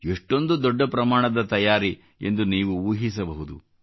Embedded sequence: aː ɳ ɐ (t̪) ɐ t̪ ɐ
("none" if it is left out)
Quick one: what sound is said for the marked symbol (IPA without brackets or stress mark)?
d̪